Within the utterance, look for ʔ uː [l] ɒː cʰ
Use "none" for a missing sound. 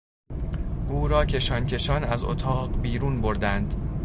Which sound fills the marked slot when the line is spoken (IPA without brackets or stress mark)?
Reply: ɾ